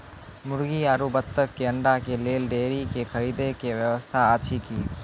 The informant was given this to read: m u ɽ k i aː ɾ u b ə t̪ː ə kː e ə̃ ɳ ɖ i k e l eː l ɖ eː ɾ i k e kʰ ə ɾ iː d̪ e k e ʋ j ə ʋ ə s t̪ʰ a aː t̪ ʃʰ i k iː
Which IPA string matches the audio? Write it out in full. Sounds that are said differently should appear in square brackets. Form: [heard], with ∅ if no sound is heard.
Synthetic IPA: m [ʊ] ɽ [ɡ] i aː ɾ u b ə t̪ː ə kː e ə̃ ɳ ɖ [a] k e l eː l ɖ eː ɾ i k e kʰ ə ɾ iː d̪ e k e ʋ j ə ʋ ə s t̪ʰ a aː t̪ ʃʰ i k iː